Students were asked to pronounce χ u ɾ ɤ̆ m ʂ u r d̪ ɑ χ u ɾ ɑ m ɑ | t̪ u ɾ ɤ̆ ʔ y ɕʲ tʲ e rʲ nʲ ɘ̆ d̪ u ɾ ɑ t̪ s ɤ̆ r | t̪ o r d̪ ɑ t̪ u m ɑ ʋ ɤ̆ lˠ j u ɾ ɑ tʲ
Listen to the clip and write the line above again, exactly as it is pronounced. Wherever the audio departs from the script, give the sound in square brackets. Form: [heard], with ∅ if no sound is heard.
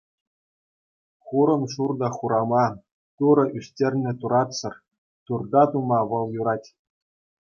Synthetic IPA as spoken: χ u ɾ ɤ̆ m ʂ u r d̪ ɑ χ u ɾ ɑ m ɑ | t̪ u ɾ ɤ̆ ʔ y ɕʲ tʲ e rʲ nʲ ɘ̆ [t̪] u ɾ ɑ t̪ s ɤ̆ r | t̪ [u] r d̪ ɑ t̪ u m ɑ ʋ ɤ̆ lˠ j u ɾ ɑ tʲ

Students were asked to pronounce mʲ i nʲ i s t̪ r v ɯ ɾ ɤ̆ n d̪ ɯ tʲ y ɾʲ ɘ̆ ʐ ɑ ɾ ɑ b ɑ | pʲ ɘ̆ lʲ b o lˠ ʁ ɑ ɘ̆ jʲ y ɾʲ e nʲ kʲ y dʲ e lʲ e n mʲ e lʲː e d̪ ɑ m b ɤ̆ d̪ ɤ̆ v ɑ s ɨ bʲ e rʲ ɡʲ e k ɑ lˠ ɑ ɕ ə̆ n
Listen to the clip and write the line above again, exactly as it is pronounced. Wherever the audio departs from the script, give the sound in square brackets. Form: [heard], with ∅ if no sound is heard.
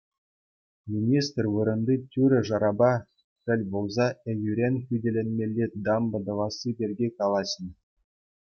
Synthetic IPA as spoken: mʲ i nʲ i s t̪ r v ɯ ɾ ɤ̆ n d̪ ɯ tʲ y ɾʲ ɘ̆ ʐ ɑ ɾ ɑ b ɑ | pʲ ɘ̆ lʲ b o lˠ [z] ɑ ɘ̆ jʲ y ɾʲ e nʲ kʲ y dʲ e lʲ e n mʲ e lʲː e d̪ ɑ m b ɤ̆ d̪ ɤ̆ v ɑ s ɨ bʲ e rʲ ɡʲ e k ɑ lˠ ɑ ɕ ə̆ n

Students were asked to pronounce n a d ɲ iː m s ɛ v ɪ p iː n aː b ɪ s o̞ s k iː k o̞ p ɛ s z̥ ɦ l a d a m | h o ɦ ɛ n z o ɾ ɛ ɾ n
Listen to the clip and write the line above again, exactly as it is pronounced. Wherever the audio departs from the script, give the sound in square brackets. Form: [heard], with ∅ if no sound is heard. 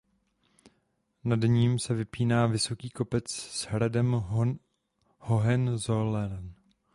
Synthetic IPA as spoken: n a d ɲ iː m s ɛ v ɪ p iː n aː [v] ɪ s o̞ [∅] k iː k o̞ p ɛ [t͡s] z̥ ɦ [ɾ] a d [ɛ] m | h o ɦ ɛ n z o [l] ɛ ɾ n

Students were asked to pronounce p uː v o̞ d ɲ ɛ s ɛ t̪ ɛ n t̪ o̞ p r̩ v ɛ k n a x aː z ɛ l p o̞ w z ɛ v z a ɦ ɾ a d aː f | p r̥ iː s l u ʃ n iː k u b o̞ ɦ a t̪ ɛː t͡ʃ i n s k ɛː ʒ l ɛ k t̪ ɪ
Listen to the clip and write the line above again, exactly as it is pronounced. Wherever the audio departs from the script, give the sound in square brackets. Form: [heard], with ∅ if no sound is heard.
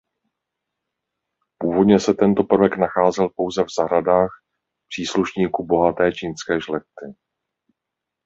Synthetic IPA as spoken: p uː v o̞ d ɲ ɛ s ɛ t̪ ɛ n t̪ o̞ p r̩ v ɛ k n a x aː z ɛ l p o̞ w z ɛ v z a ɦ ɾ a d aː [x] | p r̥ iː s l u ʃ [ɲ] iː k u b o̞ ɦ a t̪ ɛː t͡ʃ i n s k ɛː ʒ l ɛ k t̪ ɪ

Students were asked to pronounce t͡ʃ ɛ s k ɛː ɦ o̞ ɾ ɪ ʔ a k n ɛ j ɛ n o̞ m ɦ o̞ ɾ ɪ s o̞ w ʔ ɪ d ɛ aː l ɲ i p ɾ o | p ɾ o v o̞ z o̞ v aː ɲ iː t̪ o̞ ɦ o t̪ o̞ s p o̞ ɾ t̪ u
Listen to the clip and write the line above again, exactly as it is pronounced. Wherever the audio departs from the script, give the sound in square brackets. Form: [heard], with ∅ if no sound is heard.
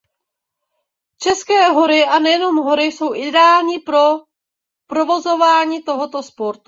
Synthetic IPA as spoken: t͡ʃ ɛ s k ɛː ɦ o̞ ɾ ɪ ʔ a [∅] n ɛ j ɛ n o̞ m ɦ o̞ ɾ ɪ s o̞ w ʔ ɪ d ɛ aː l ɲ i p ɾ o | p ɾ o v o̞ z o̞ v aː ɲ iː t̪ o̞ ɦ o t̪ o̞ s p o̞ ɾ t̪ u

